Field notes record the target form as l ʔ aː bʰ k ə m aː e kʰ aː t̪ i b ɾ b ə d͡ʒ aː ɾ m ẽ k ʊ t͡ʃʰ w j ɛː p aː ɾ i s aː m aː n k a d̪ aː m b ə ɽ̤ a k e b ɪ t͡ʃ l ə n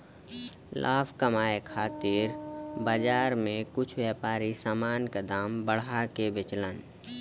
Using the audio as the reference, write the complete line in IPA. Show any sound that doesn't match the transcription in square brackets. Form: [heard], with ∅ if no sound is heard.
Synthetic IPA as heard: l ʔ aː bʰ k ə m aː e kʰ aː t̪ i [∅] ɾ b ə d͡ʒ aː ɾ m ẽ k ʊ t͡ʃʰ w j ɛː p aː ɾ i s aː m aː n k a d̪ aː m b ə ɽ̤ a k e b ɪ t͡ʃ l ə n